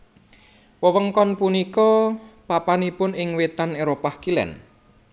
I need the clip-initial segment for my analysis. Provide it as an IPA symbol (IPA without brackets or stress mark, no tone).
w